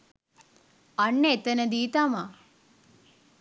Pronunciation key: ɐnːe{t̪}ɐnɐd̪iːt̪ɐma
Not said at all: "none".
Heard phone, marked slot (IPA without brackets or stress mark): t̪